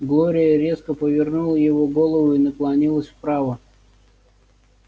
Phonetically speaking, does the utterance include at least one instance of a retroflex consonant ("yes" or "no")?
no